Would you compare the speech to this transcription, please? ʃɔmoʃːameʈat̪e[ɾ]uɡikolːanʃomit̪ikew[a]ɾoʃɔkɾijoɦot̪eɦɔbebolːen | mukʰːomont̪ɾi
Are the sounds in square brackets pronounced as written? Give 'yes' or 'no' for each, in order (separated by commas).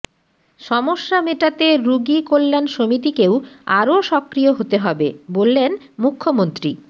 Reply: yes, yes